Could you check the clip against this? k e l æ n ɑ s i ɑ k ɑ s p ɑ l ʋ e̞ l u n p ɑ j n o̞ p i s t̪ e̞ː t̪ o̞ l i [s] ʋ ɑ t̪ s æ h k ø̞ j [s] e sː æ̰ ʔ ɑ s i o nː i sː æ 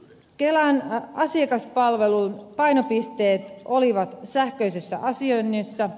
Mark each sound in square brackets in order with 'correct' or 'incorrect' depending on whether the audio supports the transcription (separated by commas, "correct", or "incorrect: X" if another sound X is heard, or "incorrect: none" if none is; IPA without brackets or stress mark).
incorrect: none, correct